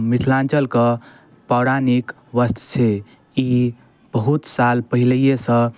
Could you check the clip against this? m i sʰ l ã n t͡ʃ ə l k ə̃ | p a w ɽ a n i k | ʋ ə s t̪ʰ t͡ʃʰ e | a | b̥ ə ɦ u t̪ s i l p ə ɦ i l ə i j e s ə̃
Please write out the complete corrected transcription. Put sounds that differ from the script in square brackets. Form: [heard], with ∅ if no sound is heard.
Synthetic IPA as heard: m i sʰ l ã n t͡ʃ ə l k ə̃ | p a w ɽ a n i k | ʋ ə s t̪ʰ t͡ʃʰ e | [i] | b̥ ə ɦ u t̪ s [a] l p ə ɦ i l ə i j e s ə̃